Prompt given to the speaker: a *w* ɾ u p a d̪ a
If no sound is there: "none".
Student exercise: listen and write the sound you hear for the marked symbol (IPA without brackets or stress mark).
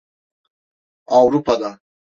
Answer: w